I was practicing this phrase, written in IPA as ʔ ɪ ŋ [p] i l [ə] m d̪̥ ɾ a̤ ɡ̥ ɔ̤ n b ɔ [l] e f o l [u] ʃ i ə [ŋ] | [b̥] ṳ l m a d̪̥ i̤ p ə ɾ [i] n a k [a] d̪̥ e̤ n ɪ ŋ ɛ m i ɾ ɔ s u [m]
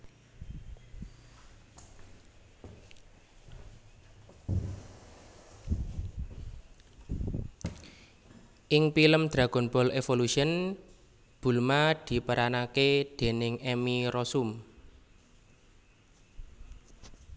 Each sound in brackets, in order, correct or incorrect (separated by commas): correct, correct, correct, correct, incorrect, correct, incorrect, incorrect, correct